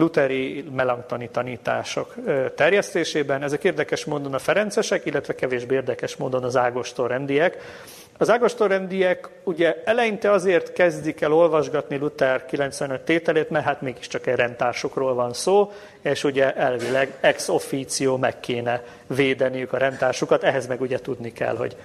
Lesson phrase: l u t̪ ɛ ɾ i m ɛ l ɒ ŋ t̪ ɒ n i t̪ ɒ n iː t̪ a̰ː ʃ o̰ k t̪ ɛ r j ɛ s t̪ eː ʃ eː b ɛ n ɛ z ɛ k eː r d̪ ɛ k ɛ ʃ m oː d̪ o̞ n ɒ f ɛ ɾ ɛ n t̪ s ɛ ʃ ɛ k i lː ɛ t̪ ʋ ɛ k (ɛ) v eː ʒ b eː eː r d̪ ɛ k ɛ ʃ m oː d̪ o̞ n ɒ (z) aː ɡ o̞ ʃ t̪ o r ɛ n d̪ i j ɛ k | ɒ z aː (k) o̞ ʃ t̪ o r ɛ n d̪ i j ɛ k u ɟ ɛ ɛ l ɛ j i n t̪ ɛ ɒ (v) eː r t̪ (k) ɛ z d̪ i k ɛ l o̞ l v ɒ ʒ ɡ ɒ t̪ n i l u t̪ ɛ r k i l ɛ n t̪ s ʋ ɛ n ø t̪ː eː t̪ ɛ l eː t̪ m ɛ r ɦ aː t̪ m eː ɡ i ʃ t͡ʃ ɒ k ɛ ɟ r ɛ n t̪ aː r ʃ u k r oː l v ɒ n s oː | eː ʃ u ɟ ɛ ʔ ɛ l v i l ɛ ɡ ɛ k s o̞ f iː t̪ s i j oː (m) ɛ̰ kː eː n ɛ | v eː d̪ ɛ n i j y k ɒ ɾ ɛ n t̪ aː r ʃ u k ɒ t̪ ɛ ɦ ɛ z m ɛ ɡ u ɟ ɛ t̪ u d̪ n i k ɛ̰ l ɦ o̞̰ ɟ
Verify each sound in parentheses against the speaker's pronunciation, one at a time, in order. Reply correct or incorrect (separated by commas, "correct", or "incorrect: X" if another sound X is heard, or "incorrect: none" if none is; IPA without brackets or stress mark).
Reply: correct, correct, incorrect: ɡ, incorrect: z, correct, correct